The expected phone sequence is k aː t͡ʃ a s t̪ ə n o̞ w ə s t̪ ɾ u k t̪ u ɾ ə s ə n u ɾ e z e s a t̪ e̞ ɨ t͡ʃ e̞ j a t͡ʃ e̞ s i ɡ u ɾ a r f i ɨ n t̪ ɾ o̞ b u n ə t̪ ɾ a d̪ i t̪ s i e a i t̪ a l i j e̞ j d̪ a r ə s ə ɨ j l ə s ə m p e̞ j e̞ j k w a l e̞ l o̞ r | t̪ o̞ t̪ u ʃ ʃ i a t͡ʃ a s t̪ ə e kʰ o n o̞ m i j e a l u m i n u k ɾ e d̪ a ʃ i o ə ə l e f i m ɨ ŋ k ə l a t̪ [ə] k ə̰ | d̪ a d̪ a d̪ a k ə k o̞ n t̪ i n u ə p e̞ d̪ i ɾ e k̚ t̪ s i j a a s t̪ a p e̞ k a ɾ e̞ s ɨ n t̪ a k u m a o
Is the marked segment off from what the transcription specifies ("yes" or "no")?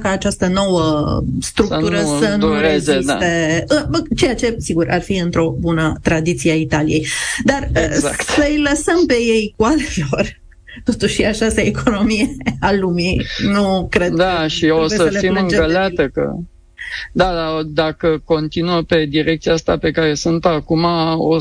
no